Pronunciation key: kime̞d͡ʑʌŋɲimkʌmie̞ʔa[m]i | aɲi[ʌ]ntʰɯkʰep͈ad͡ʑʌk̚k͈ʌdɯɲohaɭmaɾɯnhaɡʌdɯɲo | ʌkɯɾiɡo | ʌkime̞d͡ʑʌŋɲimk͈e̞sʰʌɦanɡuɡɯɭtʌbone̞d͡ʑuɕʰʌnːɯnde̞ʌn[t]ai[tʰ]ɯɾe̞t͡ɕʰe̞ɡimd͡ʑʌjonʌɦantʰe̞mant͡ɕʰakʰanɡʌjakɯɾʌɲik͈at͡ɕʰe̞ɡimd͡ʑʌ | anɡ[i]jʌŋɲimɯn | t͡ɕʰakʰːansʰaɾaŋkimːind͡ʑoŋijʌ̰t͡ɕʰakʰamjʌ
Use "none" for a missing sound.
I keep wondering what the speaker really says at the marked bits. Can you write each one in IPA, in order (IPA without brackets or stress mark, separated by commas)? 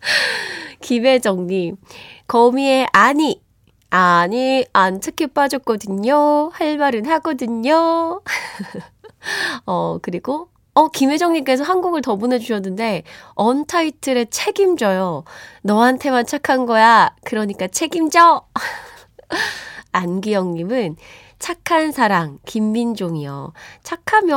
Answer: ɲ, a, tʰ, tʰ, i